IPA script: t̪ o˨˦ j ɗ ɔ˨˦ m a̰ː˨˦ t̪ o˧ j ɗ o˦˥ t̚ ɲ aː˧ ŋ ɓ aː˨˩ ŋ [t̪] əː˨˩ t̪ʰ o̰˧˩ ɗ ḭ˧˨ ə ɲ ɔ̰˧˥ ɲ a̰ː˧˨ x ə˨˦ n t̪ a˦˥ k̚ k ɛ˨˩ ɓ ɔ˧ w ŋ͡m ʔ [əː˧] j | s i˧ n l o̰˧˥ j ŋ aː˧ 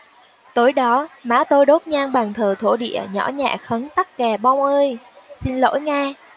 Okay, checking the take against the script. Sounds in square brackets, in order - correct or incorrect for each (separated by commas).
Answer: incorrect, correct